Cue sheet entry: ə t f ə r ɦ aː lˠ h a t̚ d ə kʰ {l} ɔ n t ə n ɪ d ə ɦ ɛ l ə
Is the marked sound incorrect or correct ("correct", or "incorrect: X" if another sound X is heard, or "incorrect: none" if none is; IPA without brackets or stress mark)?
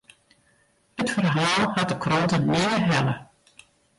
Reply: incorrect: r